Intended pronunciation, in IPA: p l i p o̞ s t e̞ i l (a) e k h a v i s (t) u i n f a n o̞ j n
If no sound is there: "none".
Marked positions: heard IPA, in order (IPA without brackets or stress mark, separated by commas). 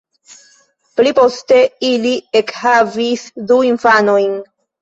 i, d